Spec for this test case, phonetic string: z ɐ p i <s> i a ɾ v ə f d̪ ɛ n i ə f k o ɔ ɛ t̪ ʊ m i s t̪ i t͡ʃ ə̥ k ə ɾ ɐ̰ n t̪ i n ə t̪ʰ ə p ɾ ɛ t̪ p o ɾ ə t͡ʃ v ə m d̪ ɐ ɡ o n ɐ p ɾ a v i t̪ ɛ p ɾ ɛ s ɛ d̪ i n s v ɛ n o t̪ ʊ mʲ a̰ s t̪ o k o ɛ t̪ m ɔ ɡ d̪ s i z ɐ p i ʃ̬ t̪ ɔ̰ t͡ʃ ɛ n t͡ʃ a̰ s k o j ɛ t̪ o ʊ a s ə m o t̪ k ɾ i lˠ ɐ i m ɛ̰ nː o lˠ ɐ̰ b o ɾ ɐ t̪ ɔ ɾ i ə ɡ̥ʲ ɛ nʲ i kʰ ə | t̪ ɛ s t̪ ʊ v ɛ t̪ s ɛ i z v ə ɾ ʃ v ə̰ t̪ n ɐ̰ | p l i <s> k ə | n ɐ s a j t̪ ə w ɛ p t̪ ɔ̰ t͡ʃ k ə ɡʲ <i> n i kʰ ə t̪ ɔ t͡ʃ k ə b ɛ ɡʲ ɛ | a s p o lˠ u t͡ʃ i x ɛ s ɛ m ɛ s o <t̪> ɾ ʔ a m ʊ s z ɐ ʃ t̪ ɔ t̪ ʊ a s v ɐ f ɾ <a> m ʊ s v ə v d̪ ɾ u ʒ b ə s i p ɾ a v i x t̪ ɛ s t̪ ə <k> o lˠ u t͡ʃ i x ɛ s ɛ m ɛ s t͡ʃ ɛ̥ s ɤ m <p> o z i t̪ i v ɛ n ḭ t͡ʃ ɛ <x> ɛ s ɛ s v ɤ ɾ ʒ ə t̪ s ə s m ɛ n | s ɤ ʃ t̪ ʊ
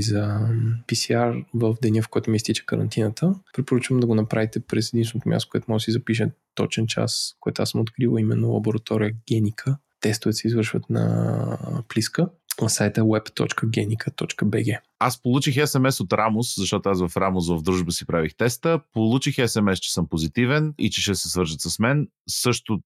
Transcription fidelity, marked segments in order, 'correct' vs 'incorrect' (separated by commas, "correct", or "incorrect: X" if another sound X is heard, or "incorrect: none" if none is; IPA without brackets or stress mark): correct, correct, incorrect: ɛ, correct, correct, incorrect: p, correct, incorrect: ʃ